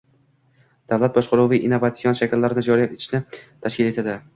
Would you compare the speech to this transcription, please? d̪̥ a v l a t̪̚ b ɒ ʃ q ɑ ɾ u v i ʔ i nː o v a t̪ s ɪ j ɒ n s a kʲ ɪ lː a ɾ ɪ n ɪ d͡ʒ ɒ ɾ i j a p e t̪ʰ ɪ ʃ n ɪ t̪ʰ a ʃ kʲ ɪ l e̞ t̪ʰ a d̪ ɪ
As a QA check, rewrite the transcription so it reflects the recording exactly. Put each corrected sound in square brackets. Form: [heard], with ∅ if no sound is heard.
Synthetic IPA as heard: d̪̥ a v l a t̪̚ b ɒ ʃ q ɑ ɾ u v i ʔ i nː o v a t̪ s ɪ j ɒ n [ʃ] a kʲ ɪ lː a ɾ ɪ n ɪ d͡ʒ ɒ ɾ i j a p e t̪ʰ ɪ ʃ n ɪ t̪ʰ a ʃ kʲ ɪ l e̞ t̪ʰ a d̪ ɪ